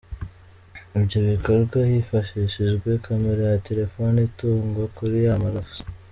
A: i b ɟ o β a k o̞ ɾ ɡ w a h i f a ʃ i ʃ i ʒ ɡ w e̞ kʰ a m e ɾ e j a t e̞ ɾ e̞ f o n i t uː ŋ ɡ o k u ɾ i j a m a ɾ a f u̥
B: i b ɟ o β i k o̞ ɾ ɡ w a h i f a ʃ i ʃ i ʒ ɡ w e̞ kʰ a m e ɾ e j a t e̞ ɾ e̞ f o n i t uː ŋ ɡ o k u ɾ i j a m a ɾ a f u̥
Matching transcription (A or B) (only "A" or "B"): B